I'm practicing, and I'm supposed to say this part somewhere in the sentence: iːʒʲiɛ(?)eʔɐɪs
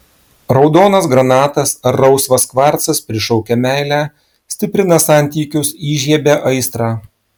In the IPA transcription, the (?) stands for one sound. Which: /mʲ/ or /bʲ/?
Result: bʲ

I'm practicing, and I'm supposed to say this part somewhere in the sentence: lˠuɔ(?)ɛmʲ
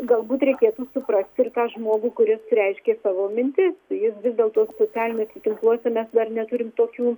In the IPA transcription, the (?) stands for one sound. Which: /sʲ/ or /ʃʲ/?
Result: sʲ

